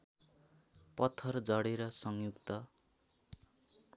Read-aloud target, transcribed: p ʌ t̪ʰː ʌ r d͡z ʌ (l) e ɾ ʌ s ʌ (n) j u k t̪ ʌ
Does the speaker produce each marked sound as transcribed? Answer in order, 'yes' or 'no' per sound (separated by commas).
no, no